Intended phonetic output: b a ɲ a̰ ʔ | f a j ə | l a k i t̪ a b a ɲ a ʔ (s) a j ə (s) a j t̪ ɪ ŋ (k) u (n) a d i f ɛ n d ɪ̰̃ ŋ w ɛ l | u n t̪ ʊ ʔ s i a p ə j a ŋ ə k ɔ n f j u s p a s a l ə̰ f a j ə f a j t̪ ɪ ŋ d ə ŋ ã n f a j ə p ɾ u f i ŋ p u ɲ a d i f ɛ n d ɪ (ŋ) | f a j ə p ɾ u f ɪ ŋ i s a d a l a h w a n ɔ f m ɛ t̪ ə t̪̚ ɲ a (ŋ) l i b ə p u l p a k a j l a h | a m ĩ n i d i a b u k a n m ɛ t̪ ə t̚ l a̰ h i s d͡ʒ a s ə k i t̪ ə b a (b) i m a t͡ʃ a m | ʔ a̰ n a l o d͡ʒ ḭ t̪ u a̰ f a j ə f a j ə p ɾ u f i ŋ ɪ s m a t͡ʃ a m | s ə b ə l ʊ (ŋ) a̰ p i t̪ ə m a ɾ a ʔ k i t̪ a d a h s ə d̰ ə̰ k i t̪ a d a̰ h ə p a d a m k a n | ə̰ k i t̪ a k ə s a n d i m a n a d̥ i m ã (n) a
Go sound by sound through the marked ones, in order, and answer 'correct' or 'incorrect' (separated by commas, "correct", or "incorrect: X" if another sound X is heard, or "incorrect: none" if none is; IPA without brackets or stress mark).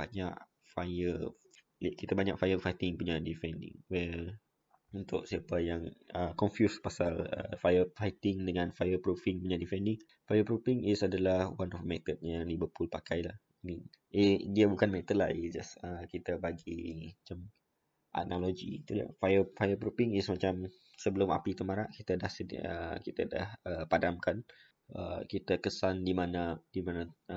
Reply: incorrect: f, incorrect: f, incorrect: p, incorrect: ɲ, correct, correct, incorrect: ɡ, incorrect: m, correct